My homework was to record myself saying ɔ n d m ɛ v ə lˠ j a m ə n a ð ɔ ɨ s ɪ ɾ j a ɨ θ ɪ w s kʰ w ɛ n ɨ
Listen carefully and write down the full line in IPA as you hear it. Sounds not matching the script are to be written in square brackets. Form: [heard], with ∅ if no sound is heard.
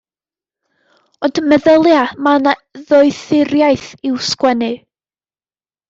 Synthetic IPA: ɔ n d m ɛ [ð] ə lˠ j a m [a] n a ð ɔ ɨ [θ] ɪ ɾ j a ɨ θ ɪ w s [k] w ɛ n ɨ